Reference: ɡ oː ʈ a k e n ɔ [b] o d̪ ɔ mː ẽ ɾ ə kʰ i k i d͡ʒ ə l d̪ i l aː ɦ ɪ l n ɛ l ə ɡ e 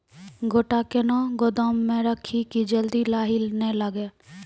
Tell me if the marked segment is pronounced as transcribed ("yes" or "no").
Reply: no